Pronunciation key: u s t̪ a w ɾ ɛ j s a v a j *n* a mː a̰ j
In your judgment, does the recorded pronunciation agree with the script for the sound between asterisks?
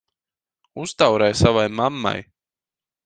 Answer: no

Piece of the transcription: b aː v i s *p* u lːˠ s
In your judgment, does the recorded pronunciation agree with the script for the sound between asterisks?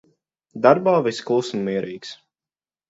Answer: no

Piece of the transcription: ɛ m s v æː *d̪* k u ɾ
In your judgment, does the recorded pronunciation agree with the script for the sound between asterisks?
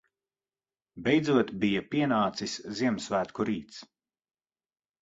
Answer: no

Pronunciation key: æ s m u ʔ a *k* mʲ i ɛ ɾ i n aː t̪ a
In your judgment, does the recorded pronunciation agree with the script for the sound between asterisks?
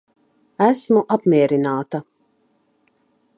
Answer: no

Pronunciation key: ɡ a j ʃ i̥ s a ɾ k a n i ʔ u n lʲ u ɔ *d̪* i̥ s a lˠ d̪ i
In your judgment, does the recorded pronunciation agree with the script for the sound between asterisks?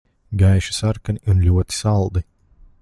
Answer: no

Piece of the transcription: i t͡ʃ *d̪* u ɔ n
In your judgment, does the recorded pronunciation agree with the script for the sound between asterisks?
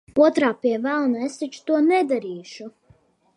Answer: no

